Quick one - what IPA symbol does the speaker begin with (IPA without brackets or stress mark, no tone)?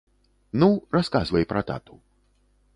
n